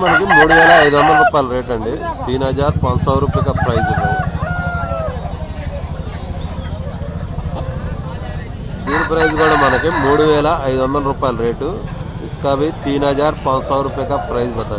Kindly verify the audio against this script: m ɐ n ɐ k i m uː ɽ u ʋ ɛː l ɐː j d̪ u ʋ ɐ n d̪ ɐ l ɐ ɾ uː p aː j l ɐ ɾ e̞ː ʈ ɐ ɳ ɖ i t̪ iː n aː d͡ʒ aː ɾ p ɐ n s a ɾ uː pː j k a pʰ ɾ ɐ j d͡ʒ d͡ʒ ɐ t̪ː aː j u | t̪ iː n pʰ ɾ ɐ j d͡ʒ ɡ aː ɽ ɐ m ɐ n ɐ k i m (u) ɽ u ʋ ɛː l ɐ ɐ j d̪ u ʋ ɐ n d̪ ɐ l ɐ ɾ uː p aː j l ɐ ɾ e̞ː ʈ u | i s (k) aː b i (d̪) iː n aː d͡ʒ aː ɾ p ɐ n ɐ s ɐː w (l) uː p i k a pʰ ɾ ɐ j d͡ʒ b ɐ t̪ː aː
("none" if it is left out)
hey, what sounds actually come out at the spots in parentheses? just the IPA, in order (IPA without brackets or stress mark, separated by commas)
uː, k, t̪, ɾ